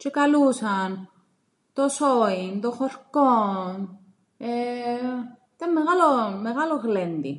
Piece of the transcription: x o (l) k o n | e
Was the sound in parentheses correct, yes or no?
no